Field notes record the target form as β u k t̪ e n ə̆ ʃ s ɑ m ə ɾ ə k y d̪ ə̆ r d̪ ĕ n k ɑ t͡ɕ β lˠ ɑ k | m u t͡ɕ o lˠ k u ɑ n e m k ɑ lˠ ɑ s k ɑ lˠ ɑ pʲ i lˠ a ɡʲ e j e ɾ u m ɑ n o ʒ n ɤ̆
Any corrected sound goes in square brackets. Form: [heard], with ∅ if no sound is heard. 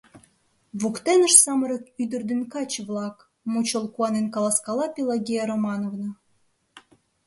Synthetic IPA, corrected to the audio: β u k t̪ e n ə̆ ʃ s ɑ m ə ɾ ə k y d̪ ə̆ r d̪ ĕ n k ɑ t͡ɕ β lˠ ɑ k | m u t͡ɕ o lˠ k u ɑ n e [n] k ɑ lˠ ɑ s k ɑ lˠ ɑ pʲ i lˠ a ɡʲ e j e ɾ [o] m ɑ n o [v] n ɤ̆